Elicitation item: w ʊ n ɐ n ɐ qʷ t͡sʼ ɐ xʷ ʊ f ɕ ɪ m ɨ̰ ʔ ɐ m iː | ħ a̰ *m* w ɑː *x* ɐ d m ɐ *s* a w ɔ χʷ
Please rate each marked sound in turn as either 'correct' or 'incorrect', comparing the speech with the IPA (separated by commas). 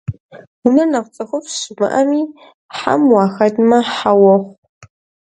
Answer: correct, correct, incorrect